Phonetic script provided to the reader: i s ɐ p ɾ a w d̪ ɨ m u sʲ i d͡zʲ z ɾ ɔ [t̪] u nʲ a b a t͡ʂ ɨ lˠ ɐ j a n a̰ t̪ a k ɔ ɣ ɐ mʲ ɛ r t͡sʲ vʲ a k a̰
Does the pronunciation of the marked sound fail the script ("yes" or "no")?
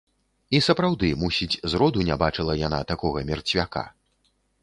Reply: yes